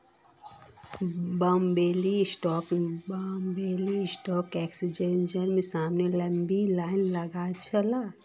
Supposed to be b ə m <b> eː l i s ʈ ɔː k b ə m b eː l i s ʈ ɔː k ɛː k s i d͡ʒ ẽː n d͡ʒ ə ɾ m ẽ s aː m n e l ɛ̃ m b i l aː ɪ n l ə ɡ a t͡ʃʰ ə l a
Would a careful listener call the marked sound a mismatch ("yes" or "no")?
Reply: no